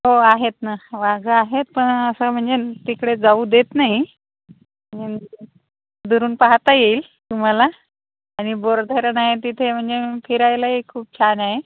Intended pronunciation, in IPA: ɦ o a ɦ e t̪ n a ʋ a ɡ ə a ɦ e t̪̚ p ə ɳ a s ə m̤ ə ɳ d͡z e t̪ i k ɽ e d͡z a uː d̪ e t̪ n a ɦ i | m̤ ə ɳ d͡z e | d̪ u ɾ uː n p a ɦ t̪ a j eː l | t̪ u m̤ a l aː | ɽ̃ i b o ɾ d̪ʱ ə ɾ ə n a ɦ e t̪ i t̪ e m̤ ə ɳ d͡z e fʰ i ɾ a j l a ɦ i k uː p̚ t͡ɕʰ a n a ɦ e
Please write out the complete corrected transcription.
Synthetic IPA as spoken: ɦ o a ɦ e t̪ n a ʋ a ɡ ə a ɦ e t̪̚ p ə ɳ ə s ə m̤ ə ɳ d͡z e t̪ i k ɽ e d͡z a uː d̪ e t̪ n a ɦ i | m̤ ə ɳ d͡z e | d̪ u ɾ uː n p a ɦ t̪ a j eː l | t̪ u m̤ a l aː | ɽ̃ i b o ɾ d̪ʱ ə ɾ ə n a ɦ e t̪ i t̪ʰ e m̤ ə ɳ d͡z e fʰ i ɾ a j l a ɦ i kʰ uː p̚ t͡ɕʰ a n a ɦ e